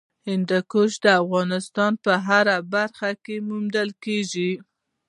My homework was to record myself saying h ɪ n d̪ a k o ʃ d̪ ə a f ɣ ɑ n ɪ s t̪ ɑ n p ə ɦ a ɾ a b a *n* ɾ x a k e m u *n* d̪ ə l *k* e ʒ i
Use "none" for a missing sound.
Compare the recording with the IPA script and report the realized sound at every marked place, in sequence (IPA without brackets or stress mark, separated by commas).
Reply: none, m, k